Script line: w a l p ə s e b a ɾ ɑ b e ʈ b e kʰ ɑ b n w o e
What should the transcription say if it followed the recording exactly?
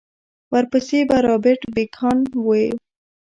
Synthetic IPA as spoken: w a ɾ p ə s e b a ɾ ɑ b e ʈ b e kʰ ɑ n w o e